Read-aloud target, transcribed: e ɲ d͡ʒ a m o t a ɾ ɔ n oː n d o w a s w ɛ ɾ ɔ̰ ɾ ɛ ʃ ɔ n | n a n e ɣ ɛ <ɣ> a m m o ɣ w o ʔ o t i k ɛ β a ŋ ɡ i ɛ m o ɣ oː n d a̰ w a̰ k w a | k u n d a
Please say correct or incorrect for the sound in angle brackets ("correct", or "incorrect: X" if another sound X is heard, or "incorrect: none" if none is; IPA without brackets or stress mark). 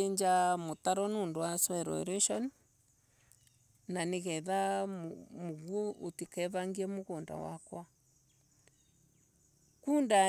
incorrect: ð